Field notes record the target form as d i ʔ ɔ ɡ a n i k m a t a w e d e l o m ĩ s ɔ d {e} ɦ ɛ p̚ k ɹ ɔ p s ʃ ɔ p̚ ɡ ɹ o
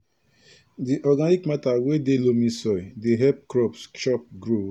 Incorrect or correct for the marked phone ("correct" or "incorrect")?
correct